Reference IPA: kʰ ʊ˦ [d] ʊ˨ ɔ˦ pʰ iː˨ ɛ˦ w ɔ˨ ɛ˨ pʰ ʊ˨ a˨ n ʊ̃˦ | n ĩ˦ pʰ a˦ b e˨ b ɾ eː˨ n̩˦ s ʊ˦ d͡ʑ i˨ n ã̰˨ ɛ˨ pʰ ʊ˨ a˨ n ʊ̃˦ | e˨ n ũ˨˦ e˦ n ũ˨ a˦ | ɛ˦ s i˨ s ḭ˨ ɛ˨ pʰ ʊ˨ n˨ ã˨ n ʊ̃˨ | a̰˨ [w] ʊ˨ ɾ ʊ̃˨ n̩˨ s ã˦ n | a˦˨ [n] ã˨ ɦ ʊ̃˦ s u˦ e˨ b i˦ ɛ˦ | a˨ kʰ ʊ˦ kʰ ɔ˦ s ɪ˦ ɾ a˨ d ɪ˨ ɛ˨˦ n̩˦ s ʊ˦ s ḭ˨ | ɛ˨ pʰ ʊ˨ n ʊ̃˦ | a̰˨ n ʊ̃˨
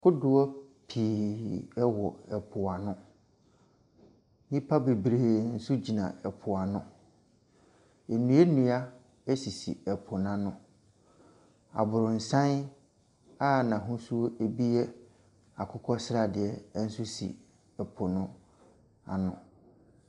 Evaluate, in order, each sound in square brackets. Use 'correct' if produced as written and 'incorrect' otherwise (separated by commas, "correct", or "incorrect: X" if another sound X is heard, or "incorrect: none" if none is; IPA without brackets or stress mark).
correct, incorrect: b, correct